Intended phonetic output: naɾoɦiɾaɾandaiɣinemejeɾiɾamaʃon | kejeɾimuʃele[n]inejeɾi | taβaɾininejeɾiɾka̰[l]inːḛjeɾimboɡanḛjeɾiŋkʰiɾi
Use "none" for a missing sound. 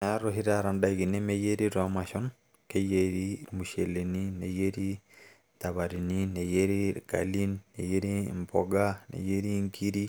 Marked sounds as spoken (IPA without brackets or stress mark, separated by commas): n, l